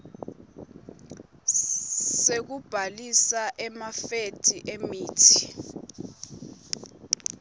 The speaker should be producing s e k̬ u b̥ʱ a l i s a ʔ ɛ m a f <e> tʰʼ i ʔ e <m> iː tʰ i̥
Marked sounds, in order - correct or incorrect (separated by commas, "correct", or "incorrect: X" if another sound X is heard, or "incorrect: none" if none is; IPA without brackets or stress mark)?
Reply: correct, correct